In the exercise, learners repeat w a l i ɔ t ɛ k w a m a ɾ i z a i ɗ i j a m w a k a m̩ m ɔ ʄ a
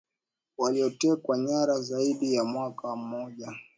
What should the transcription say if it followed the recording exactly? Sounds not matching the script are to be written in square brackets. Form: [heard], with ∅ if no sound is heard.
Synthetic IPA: w a l i ɔ t ɛ k w a [ɲ] a ɾ [a] z a i ɗ i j a m w a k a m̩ m ɔ ʄ a